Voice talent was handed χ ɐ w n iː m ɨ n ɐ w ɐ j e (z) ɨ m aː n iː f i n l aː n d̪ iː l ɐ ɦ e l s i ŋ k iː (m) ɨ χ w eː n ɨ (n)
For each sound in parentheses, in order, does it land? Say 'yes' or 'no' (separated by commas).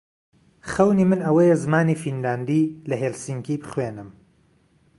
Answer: yes, no, no